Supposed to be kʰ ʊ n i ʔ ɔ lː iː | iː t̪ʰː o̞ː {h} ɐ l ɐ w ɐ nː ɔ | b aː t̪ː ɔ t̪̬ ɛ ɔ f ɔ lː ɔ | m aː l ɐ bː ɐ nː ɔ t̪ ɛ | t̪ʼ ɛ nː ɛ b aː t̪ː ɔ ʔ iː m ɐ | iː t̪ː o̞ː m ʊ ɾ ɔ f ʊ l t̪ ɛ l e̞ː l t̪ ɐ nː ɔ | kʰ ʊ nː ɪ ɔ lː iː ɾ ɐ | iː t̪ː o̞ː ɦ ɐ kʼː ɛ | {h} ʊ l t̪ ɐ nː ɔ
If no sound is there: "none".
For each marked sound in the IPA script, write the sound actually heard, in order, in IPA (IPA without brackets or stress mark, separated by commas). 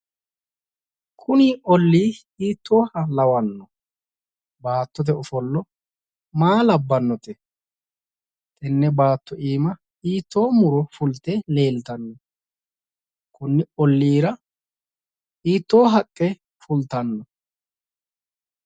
h, f